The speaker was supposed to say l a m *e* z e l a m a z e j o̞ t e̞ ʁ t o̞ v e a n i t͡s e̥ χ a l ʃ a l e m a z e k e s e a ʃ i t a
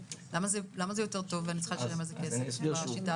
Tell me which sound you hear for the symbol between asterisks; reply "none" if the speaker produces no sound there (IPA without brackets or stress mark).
a